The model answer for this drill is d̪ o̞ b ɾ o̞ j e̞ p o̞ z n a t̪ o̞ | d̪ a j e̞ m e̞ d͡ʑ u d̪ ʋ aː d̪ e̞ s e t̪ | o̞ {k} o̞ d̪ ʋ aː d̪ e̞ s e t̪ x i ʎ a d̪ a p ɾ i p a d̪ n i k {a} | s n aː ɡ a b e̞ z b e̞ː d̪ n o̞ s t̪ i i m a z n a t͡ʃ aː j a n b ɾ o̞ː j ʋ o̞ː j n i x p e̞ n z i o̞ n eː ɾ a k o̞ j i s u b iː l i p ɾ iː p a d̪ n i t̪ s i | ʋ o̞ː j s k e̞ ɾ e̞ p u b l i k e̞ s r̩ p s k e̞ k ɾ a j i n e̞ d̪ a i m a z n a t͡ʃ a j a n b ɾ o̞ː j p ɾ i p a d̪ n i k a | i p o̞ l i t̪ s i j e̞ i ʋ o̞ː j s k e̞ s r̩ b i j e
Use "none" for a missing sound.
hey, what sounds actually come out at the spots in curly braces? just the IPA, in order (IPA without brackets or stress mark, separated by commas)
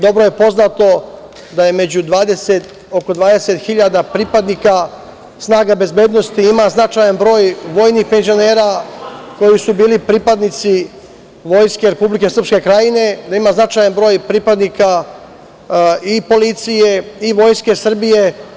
k, a